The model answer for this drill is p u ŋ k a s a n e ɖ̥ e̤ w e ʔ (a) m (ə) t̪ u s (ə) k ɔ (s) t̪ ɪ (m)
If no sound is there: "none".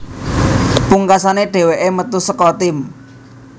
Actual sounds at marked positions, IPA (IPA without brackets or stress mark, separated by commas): e, ə, ə, none, m